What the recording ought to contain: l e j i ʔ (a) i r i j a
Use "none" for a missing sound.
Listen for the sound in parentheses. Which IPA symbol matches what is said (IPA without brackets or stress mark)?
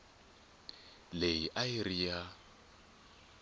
a